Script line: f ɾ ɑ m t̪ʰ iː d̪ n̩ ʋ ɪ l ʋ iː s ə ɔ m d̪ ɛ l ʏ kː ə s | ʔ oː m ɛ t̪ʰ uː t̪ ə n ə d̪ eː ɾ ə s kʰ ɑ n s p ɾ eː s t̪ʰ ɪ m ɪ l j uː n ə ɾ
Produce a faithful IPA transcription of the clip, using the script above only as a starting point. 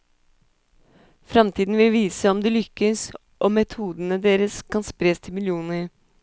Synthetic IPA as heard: f ɾ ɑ m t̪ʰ iː d̪ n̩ ʋ ɪ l ʋ iː s ə ɔ m d̪ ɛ l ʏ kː ə s | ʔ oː m ɛ t̪ʰ uː d̪ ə n ə d̪ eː ɾ ə s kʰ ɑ n s p ɾ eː s t̪ʰ ɪ m ɪ l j uː n ə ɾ